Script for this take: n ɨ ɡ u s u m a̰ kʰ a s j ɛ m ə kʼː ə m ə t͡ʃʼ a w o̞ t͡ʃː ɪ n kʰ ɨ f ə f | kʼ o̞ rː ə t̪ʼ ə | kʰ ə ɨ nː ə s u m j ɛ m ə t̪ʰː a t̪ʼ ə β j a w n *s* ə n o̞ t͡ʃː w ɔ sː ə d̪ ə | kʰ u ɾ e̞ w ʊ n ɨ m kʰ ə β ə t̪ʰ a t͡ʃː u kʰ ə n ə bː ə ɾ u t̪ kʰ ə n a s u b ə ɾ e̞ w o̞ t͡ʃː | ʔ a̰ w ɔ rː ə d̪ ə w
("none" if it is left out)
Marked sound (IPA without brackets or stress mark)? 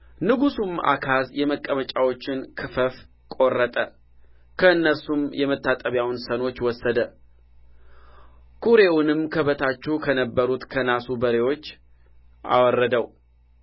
s